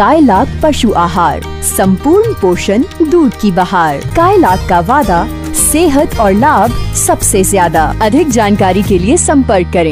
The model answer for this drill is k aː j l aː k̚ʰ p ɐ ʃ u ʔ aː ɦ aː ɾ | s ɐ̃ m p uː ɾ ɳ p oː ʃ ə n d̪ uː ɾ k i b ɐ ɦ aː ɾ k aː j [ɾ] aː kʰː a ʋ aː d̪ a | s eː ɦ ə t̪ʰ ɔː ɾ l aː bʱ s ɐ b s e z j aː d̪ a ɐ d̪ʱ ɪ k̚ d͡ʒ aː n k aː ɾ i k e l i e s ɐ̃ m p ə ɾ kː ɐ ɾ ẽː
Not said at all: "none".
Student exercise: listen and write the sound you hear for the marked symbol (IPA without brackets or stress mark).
l